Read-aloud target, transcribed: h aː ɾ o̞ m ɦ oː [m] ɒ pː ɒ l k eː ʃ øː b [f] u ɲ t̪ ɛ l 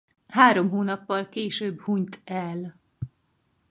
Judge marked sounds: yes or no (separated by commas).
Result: no, no